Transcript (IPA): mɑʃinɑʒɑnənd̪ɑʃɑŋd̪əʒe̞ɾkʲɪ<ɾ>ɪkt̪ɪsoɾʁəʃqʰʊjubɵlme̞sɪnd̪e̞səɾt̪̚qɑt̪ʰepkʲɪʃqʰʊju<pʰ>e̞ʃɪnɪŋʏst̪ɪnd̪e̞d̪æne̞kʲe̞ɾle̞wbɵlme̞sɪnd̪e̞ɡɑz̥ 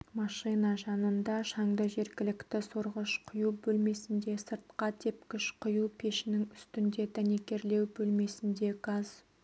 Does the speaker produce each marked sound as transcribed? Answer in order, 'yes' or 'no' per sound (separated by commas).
no, yes